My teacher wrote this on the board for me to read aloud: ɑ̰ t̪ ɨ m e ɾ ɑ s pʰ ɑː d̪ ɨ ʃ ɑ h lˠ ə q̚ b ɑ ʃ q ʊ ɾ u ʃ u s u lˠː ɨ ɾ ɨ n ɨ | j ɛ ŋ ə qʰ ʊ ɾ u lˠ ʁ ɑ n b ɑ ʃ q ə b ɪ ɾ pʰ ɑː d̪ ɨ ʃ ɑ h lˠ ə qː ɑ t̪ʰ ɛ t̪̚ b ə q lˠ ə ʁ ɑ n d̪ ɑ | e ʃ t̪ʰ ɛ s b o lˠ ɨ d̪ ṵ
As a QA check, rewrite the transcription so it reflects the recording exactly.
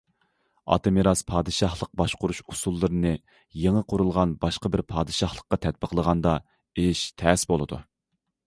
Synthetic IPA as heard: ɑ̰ t̪ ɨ m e ɾ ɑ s pʰ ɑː d̪ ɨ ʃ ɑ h lˠ ə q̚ b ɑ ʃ q ʊ ɾ u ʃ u s u lˠː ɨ ɾ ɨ n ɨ | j e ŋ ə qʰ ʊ ɾ u lˠ ʁ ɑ n b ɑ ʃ q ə b ɪ ɾ pʰ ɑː d̪ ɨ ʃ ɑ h lˠ ə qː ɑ t̪ʰ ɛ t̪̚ b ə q lˠ ə ʁ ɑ n d̪ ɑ | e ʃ t̪ʰ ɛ s b o lˠ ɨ d̪ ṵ